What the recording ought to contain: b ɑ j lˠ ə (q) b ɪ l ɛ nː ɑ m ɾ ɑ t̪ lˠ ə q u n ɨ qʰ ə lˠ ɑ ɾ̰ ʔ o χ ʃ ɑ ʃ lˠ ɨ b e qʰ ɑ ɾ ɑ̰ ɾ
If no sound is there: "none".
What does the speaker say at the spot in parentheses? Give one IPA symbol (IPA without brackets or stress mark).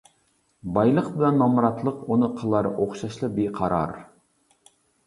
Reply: q